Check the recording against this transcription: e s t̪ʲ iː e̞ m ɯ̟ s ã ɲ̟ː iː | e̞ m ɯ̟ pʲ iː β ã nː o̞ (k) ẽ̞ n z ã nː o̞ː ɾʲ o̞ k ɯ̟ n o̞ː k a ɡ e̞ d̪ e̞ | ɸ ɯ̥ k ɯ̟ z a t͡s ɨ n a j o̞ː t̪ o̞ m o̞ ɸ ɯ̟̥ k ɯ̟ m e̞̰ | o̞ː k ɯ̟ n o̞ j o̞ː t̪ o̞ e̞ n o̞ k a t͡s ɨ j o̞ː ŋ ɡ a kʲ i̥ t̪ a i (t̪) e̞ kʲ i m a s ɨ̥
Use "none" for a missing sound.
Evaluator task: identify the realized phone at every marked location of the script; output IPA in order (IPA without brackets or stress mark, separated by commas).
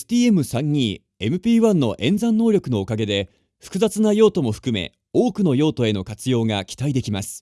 ʔ, d̪